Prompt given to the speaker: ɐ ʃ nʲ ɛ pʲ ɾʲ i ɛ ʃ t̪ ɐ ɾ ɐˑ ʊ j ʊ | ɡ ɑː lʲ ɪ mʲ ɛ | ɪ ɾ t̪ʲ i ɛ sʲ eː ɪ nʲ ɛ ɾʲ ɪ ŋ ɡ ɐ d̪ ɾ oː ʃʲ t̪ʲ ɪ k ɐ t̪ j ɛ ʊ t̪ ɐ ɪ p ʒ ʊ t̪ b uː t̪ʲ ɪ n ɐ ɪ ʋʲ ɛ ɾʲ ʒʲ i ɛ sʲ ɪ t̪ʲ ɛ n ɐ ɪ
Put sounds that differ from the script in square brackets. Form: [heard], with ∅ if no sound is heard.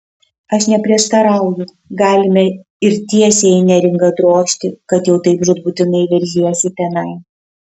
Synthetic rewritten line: ɐ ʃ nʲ ɛ pʲ ɾʲ i ɛ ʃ t̪ ɐ ɾ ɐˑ ʊ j ʊ | ɡ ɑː lʲ ɪ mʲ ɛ | ɪ ɾ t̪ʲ i ɛ sʲ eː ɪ nʲ ɛ ɾʲ ɪ ŋ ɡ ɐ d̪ ɾ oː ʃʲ t̪ʲ ɪ k ɐ t̪ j ɛ ʊ t̪ ɐ ɪ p ʒ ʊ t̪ b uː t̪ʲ ɪ n ɐ ɪ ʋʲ ɛ ɾʲ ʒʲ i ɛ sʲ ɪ t̪ʲ ɛ n ɐ ɪ